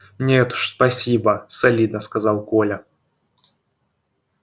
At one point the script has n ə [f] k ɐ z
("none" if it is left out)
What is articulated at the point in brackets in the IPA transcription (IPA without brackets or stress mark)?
s